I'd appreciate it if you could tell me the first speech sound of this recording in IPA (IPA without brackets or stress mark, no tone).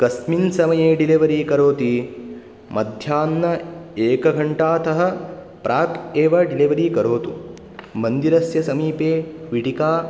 k